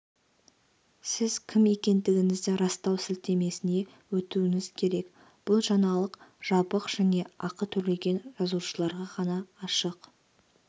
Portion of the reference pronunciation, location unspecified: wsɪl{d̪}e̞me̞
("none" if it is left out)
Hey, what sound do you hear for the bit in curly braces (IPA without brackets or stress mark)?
t̪